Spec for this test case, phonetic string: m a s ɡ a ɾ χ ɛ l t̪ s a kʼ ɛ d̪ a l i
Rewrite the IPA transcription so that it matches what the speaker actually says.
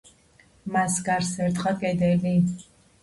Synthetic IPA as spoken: m a s ɡ a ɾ s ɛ ɾ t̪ χ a kʼ ɛ d̪ ɛ l i